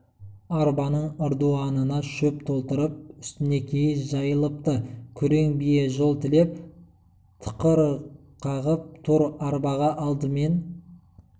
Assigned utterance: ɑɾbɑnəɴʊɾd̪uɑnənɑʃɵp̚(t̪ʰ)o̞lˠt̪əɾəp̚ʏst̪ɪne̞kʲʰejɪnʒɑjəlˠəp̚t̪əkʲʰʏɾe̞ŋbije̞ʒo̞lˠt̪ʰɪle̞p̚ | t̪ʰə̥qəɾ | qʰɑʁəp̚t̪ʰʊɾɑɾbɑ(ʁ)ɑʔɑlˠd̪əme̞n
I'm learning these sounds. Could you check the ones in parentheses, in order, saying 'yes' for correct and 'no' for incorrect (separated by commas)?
yes, yes